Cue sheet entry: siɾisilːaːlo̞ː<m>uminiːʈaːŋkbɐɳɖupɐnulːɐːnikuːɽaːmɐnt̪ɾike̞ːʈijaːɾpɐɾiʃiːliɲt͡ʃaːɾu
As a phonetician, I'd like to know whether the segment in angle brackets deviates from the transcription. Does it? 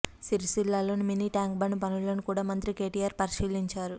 yes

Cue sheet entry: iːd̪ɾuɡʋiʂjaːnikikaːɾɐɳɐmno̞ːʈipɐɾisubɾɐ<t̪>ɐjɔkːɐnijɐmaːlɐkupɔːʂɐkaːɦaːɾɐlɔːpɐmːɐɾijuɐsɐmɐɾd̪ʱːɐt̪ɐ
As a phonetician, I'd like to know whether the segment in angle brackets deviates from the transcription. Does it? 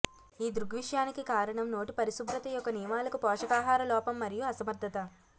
no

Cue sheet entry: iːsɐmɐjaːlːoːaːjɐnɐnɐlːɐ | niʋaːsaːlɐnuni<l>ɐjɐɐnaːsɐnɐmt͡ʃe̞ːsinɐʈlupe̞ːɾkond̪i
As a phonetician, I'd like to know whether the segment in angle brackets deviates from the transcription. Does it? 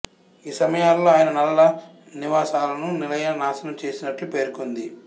no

